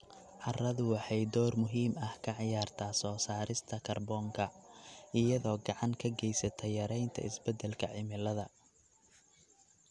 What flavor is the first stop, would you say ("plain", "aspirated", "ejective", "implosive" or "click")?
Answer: plain